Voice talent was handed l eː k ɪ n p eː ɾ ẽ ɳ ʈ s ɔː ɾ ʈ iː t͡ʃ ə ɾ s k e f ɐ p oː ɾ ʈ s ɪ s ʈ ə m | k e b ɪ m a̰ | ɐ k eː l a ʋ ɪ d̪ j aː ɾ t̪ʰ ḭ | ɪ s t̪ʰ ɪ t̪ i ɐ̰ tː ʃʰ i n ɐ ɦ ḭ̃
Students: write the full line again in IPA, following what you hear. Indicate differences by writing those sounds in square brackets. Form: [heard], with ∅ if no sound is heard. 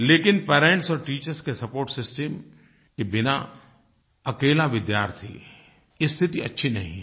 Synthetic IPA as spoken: l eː k ɪ n p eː ɾ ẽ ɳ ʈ s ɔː ɾ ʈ iː t͡ʃ ə ɾ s k e [s] ɐ p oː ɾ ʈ s ɪ s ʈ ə m | k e b ɪ [n] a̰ | ɐ k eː l a ʋ ɪ d̪ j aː ɾ t̪ʰ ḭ | ɪ s t̪ʰ ɪ t̪ i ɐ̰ tː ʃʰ i n ɐ ɦ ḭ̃